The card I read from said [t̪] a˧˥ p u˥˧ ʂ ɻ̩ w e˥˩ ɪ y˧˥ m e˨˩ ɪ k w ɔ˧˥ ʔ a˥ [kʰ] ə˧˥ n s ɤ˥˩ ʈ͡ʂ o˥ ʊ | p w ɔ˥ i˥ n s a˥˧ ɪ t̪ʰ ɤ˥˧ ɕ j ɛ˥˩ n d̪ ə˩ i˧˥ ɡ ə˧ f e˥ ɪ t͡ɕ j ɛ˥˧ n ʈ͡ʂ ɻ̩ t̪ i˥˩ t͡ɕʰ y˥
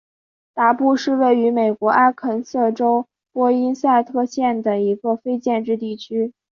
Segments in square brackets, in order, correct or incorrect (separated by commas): correct, correct